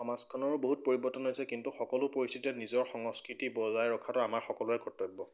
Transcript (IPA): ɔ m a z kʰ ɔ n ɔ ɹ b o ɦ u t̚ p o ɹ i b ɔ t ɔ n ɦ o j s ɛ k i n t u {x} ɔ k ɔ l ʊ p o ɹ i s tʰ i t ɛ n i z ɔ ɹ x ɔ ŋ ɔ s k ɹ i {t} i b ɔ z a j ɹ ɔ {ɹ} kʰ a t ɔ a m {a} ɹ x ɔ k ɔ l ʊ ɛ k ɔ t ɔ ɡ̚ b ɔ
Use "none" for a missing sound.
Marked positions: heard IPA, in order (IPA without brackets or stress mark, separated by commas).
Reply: x, t, none, a